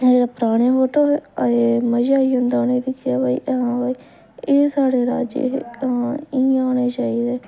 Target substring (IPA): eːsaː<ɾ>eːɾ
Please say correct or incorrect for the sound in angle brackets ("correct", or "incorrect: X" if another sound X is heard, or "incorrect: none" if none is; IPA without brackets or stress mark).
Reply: incorrect: ɽ